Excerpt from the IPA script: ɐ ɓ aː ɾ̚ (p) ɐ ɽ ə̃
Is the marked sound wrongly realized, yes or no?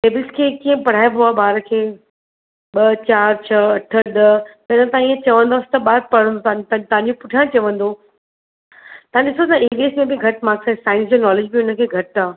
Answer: no